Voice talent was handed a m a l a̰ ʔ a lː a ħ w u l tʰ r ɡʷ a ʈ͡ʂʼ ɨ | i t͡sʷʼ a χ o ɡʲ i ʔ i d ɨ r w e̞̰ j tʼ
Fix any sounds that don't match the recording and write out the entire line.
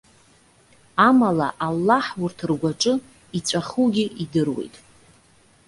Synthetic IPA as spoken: a m a l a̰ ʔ a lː a ħ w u r tʰ r ɡʷ a ʈ͡ʂʼ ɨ | i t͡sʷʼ a χ u ɡʲ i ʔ i d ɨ r w e̞̰ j tʼ